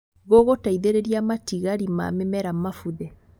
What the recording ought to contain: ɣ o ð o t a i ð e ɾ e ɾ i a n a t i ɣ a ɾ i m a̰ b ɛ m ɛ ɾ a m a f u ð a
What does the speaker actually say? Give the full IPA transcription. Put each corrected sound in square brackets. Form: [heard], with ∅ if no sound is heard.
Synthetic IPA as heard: ɣ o [ɣ] o t a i ð e ɾ e ɾ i a [m] a t i ɣ a ɾ i m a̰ [m] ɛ m ɛ ɾ a m a f u ð [ɛ]

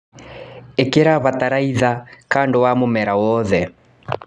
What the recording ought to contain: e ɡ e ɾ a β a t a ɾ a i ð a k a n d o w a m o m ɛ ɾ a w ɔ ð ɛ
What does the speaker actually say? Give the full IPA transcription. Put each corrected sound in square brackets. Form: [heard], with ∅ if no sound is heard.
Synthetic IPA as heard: e [k] e ɾ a β a t a ɾ a i ð a k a n d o w a m o m ɛ ɾ a w ɔ ð ɛ

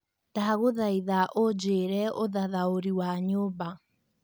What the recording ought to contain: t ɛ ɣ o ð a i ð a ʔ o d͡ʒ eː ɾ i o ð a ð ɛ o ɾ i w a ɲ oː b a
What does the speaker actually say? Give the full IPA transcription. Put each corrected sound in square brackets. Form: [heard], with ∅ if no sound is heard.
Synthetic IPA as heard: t [a] ɣ o ð a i ð a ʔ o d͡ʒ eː ɾ [ɛ] o ð a ð [a] o ɾ i w a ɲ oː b a

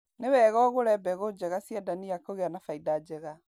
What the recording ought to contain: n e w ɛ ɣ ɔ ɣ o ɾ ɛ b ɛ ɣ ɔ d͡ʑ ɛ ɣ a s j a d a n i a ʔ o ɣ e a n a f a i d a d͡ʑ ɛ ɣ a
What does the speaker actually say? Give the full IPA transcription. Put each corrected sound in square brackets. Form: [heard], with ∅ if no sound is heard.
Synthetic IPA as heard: n e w ɛ ɣ ɔ ɣ o ɾ ɛ b ɛ ɣ [o] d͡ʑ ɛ ɣ a s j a d a n i a [k] o ɣ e a n a f a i d a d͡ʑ ɛ ɣ a

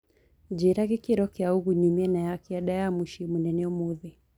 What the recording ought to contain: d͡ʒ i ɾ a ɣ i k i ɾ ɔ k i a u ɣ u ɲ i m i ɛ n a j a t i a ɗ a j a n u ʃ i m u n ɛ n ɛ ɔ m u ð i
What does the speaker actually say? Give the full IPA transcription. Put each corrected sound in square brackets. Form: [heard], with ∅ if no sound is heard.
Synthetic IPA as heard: d͡ʒ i ɾ a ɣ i k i ɾ ɔ k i a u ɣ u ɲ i m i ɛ n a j a [k] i a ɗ a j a [m] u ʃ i m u n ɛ n ɛ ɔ m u ð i

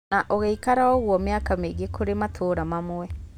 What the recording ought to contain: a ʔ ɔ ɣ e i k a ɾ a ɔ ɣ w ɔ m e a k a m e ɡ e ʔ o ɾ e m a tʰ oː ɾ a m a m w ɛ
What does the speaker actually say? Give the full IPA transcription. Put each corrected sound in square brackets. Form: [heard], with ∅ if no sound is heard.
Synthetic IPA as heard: a ʔ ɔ ɣ e i k a ɾ a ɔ ɣ w ɔ m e a k a m e ɡ e [k] o ɾ e m a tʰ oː ɾ a m a m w ɛ

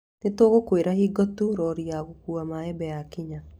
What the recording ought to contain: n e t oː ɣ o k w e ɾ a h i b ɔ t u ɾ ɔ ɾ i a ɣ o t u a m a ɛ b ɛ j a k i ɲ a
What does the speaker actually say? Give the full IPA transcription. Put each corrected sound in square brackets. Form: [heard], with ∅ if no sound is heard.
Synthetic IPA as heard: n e t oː ɣ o k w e ɾ a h i [ɡ] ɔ t u ɾ ɔ ɾ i a ɣ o [k] u a m a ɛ b ɛ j a k i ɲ a

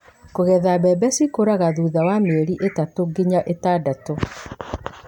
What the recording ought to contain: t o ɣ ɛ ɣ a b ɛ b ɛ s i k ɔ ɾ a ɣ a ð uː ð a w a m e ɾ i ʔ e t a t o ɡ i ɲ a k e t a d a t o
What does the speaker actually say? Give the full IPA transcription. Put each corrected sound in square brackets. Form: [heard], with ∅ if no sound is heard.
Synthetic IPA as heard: [k] o ɣ ɛ [ð] a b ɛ b ɛ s i k [o] ɾ a ɣ a ð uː ð a w a m e ɾ i ʔ e t a t o ɡ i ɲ a [ʔ] e t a d a t o

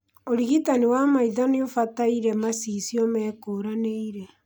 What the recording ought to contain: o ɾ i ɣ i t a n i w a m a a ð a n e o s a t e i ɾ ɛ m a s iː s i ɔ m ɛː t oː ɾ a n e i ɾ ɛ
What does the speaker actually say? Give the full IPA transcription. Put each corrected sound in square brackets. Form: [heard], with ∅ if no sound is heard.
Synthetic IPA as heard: o ɾ i ɣ i t a n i w a m a [i] ð a n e o [f] a t [a] i ɾ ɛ m a s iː s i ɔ m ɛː [k] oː ɾ a n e i ɾ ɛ

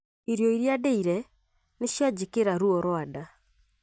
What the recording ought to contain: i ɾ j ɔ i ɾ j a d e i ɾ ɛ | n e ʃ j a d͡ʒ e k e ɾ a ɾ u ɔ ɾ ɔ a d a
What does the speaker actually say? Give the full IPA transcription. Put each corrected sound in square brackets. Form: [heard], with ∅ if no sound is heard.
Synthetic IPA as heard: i ɾ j ɔ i ɾ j a d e i ɾ ɛ | n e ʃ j a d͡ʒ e k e ɾ a ɾ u ɔ ɾ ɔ a d a

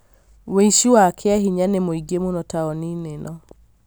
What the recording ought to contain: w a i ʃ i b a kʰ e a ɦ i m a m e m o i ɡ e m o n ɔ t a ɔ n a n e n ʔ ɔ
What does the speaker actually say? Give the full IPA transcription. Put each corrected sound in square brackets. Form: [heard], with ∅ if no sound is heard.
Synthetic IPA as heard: w [e] i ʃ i [w] a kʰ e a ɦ i [ɲ] a [n] e m o i ɡ e m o n ɔ t a ɔ n [i] n e n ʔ ɔ

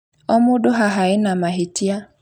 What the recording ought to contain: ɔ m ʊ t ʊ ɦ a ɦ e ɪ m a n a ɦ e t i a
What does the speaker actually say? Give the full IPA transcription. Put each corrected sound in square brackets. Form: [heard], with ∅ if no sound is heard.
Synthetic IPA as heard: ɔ m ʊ [d] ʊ ɦ a ɦ [a] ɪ [n] a [m] a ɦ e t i a

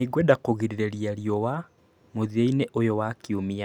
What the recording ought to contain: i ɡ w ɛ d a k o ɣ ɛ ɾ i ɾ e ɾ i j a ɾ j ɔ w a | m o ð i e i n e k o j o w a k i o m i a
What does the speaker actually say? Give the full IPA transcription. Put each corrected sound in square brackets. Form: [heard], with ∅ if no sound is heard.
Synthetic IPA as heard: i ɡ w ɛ d a k o ɣ [i] ɾ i ɾ e ɾ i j a ɾ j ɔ w a | m o ð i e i n e [ʔ] o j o w a k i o m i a

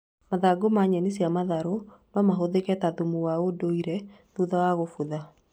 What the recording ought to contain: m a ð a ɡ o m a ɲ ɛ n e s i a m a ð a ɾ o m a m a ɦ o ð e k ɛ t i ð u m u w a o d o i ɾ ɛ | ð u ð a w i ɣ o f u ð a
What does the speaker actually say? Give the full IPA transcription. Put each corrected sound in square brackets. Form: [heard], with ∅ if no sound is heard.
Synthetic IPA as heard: m a ð a ɡ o m a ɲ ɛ n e s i a m a ð a ɾ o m a m a ɦ o ð e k ɛ t [a] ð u m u w a o d o i ɾ ɛ | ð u ð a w [a] ɣ o f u ð a

